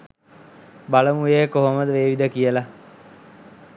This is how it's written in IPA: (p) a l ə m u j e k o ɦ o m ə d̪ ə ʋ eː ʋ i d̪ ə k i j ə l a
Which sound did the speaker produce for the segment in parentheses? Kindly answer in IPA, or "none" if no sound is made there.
b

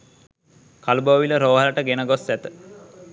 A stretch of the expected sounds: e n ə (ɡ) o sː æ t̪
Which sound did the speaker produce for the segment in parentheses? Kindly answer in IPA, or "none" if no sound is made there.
ɡ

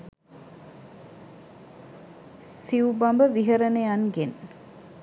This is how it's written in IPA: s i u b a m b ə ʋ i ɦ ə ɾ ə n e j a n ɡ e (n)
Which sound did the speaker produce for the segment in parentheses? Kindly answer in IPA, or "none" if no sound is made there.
n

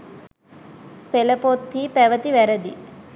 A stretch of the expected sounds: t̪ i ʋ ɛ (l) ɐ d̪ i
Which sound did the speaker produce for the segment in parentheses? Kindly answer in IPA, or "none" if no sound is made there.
ɾ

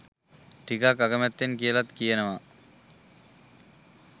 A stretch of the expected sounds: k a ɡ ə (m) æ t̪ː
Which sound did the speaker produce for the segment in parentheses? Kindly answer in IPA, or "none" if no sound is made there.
m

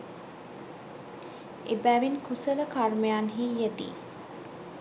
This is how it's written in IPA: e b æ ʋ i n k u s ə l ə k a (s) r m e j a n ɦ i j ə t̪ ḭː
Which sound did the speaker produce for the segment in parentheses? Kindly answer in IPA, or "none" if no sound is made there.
none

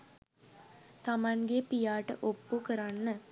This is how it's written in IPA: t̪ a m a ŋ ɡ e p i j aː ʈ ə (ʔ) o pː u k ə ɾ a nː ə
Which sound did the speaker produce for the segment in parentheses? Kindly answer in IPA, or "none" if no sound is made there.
ʔ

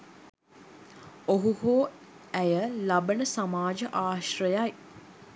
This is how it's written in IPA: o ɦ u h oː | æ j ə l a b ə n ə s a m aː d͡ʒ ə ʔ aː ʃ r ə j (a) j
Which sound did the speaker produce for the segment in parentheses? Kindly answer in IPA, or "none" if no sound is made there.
a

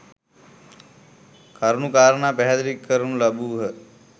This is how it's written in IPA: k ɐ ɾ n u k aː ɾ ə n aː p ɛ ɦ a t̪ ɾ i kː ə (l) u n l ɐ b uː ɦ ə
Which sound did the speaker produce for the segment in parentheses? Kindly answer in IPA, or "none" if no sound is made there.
ɾ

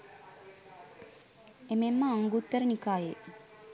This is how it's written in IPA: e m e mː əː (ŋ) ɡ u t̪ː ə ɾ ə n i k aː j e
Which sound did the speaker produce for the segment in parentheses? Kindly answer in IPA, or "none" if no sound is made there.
ŋ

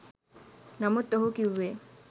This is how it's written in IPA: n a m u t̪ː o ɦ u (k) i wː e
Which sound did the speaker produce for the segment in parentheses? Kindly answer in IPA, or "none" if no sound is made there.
k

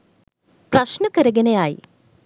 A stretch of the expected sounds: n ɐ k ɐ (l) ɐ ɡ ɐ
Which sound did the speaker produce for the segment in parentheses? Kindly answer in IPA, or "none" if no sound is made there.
ɾ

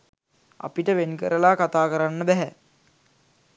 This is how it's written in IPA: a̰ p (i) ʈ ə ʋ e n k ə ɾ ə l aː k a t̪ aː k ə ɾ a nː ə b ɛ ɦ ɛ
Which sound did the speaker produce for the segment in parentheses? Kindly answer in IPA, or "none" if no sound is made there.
i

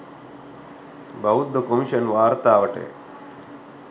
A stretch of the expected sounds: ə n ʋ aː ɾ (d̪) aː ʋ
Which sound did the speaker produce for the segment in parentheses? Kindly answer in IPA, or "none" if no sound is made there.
t̪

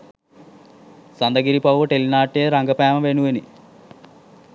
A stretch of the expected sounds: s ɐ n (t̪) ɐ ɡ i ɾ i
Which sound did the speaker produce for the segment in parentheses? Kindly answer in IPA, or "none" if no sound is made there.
d̪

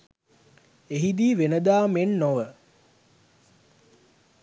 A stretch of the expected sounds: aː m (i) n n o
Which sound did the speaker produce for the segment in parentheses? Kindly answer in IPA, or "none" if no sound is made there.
e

